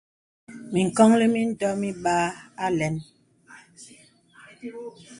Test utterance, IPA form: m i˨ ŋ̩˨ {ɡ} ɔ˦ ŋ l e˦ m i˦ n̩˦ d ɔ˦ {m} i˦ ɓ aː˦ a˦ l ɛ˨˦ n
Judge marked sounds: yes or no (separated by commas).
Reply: no, yes